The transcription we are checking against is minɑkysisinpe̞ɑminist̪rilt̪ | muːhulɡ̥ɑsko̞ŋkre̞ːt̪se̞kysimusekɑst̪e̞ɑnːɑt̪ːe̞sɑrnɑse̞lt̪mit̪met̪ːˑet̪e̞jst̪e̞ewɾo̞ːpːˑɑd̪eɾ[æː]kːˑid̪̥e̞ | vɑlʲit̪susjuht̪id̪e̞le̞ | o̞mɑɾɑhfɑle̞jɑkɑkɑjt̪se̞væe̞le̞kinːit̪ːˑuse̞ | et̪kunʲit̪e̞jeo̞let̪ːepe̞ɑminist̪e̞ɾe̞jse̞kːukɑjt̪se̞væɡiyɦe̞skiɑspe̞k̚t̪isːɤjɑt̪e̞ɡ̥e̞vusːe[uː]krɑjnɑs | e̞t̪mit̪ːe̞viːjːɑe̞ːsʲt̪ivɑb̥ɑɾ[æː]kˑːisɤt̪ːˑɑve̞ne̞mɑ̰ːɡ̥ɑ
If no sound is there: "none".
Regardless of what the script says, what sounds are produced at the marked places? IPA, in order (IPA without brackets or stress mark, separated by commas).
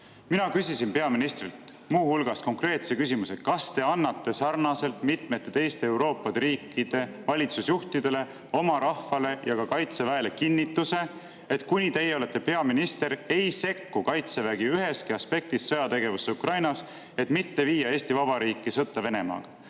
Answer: iː, u, iː